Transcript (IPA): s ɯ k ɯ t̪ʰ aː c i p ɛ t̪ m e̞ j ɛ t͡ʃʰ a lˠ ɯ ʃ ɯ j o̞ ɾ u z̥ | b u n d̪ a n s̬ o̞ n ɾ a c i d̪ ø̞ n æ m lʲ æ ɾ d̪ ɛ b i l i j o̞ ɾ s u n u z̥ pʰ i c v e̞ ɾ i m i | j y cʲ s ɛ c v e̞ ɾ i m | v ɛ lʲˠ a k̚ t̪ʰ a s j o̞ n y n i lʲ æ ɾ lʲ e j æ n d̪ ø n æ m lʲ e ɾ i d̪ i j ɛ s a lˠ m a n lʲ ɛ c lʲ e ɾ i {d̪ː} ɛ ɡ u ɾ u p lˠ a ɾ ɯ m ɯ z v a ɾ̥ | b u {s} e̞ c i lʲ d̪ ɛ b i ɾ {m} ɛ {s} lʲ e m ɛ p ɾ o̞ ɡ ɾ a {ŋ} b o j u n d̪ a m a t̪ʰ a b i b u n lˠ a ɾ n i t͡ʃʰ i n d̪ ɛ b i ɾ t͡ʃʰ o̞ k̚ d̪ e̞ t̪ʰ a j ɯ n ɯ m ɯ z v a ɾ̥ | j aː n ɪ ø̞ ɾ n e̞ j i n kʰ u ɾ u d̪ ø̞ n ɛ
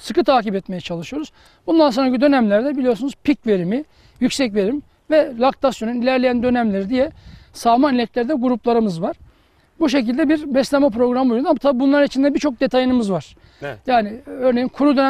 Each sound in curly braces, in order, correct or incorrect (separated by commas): incorrect, incorrect, incorrect, correct, incorrect